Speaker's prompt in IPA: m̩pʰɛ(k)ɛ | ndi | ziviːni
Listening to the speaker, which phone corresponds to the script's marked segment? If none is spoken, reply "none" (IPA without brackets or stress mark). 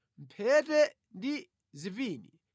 t